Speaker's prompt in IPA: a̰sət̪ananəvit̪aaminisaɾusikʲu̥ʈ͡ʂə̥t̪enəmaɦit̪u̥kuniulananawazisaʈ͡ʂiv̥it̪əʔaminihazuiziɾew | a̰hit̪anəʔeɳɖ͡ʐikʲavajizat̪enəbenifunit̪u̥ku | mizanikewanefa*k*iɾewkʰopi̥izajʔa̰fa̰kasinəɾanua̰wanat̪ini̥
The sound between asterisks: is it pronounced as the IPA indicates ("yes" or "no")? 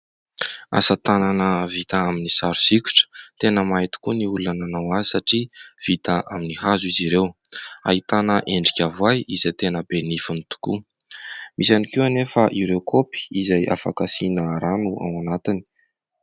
no